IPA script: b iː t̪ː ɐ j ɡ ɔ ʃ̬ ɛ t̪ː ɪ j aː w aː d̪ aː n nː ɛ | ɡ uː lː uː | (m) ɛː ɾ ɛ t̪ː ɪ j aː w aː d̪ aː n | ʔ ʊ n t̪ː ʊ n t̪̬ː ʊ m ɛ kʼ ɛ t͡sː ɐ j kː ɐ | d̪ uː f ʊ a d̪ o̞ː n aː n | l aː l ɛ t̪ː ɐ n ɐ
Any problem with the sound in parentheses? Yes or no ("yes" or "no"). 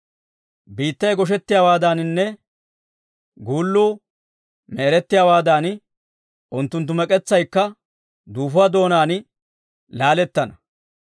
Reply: no